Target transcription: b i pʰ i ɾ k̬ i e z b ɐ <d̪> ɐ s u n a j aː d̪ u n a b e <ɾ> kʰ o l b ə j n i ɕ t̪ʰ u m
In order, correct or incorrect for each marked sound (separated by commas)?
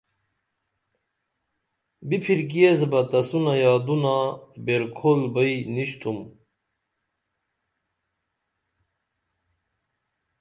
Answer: incorrect, correct